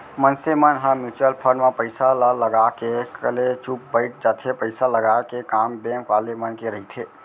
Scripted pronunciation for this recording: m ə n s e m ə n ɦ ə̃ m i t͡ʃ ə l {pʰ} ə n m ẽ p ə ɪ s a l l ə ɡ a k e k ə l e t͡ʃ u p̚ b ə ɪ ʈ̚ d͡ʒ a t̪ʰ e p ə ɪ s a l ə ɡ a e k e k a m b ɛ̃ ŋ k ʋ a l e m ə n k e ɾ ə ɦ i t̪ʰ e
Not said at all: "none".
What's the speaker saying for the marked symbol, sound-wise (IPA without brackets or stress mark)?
pʰ